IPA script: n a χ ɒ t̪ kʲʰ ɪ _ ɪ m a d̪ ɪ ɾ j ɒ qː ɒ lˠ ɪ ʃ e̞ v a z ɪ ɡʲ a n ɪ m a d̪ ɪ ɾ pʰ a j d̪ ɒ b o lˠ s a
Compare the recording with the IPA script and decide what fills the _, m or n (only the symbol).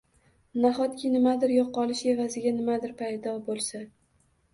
n